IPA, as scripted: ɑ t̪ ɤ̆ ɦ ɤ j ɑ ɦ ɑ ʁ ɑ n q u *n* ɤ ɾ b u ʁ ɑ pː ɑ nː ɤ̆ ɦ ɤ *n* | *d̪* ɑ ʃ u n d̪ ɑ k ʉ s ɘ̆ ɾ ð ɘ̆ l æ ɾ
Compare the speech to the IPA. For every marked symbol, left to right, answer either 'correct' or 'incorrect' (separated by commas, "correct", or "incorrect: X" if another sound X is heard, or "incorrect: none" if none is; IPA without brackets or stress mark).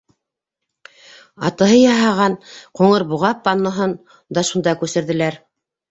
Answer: incorrect: ɴ, correct, correct